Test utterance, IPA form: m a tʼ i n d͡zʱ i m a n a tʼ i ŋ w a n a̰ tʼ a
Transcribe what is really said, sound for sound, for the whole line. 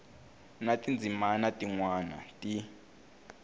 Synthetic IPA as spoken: n a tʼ i n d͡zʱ i m a n a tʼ i ŋ w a n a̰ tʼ i